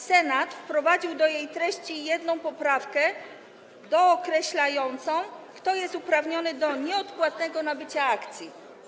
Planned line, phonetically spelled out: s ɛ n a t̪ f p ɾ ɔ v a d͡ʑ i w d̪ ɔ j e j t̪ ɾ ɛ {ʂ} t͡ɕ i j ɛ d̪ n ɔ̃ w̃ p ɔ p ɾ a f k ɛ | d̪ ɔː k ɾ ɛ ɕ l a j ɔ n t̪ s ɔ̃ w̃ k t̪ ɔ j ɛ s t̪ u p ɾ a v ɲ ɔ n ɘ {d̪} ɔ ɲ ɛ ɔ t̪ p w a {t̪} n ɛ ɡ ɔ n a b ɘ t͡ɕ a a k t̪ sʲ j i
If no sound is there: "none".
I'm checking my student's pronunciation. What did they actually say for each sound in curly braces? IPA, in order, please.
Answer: ɕ, d̪, t̪

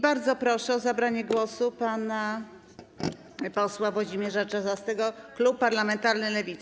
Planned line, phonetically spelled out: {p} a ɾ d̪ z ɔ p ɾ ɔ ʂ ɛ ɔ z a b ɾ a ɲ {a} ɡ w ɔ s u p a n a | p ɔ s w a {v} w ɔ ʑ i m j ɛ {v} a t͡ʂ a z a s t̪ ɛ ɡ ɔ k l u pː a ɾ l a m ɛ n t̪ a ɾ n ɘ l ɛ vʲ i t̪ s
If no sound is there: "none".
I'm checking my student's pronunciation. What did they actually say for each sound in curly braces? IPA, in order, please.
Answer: b, ɛ, v, ʐ

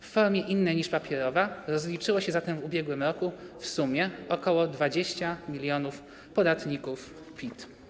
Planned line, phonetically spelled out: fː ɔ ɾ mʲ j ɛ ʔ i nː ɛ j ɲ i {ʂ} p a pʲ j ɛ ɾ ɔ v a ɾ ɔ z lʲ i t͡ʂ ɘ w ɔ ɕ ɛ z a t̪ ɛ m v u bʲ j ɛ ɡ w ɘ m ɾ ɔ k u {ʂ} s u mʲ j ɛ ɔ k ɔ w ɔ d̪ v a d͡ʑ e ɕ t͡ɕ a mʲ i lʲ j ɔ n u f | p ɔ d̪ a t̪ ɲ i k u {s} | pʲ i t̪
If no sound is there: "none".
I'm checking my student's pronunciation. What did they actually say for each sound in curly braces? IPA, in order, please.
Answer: ʂ, f, f

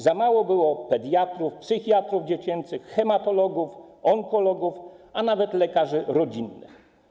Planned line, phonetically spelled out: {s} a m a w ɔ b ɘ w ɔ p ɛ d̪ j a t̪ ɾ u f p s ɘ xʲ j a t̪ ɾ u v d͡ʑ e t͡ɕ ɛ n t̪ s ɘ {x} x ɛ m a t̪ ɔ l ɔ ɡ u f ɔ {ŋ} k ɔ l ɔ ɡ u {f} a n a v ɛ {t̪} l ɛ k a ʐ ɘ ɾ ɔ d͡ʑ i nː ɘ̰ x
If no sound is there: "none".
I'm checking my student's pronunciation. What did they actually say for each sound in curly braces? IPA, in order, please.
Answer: z, x, ŋ, f, t̪

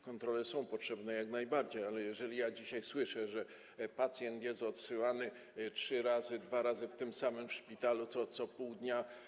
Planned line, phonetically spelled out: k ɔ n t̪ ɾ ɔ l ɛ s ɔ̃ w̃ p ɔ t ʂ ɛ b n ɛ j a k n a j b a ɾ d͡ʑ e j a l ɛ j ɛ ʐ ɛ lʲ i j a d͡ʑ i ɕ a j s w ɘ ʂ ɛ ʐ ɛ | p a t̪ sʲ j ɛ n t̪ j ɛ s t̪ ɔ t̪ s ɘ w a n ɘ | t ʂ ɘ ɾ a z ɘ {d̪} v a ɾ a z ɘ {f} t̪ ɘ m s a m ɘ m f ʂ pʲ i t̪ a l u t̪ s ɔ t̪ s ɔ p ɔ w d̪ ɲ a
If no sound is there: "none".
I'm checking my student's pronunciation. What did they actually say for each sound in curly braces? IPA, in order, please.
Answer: d̪, f

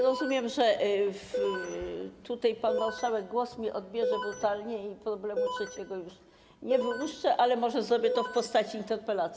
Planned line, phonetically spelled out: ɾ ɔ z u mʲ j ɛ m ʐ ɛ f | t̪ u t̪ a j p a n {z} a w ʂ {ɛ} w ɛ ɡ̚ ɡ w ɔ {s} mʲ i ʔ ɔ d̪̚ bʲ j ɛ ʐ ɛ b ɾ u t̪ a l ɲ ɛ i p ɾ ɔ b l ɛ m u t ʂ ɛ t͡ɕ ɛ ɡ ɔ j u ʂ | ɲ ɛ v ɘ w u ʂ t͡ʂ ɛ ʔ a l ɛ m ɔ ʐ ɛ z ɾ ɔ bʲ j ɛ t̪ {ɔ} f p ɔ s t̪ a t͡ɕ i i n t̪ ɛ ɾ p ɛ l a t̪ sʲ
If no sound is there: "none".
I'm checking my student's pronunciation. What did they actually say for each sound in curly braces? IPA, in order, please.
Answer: v, a, s, ɔ

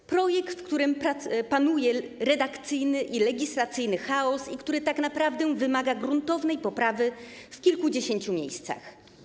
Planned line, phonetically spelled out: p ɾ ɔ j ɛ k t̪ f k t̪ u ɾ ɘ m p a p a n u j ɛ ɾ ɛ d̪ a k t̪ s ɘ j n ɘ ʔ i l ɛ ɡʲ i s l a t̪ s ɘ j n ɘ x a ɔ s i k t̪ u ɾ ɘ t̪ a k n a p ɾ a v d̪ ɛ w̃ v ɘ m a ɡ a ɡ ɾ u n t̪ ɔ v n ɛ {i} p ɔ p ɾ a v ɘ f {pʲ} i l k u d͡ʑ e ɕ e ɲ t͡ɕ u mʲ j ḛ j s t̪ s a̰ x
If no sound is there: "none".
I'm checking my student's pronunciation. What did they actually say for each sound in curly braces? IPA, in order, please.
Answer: j, kʲ

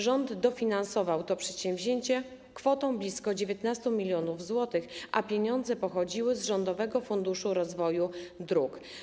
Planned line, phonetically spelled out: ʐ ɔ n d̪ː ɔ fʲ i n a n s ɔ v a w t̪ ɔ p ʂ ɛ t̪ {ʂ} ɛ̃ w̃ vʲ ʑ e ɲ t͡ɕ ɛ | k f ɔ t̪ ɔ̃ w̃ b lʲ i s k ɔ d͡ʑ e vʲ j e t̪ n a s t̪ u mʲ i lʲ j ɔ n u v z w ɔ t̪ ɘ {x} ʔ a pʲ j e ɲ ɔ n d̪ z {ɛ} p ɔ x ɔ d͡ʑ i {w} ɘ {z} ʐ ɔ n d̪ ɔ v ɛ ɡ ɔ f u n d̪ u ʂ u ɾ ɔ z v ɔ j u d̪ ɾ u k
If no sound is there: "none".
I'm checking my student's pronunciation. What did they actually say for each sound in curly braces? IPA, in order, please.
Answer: ɕ, x, ɛ, w, z

